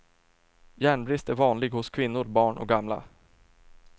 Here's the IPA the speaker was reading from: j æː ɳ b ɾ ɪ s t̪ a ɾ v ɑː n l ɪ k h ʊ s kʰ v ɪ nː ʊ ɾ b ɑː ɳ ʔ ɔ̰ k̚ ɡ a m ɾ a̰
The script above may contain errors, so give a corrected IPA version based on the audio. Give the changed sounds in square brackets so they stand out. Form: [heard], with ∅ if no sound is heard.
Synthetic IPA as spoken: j æː ɳ b ɾ ɪ s t̪ [æ] ɾ v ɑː n l ɪ [ɡ] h ʊ s kʰ v ɪ nː ʊ ɾ b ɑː ɳ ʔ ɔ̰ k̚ ɡ a m [l] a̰